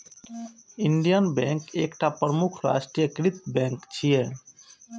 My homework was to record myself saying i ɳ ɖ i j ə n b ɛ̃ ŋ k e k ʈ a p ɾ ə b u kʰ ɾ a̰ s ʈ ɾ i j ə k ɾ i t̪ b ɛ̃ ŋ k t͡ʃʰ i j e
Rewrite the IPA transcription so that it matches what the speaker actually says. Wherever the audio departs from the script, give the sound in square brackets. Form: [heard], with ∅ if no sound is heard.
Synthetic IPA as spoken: i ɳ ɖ i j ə n b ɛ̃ ŋ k e k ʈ a p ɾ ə [m] u kʰ ɾ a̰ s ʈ ɾ i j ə k ɾ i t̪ b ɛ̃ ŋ k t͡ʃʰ i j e